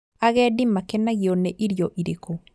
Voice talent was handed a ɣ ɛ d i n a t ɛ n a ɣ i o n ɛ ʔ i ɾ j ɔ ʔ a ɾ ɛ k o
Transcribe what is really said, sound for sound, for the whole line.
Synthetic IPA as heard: a ɣ ɛ d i m a k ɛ n a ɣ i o n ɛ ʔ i ɾ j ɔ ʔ i ɾ e k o